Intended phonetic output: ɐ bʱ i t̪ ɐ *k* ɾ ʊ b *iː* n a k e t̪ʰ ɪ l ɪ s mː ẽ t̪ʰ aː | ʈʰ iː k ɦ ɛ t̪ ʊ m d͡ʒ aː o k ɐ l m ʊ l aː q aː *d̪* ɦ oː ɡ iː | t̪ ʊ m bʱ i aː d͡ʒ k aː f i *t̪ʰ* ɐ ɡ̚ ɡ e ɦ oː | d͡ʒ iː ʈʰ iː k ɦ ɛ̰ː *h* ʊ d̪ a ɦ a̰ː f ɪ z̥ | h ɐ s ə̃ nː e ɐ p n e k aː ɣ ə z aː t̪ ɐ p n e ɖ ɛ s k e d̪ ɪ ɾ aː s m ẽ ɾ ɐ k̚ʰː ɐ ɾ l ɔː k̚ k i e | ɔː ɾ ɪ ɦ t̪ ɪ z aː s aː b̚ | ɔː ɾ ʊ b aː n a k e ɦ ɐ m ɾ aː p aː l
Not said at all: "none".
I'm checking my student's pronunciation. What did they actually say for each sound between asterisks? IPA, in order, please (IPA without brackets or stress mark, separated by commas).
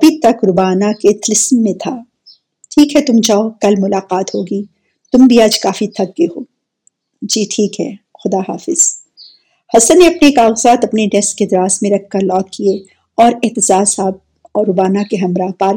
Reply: k, aː, t̪, t̪ʰ, x